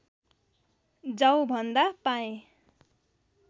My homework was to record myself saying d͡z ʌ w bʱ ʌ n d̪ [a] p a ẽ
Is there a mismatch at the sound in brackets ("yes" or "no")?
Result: no